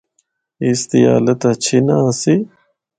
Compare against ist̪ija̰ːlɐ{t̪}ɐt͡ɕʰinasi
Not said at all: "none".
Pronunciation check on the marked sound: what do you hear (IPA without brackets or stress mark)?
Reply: t̪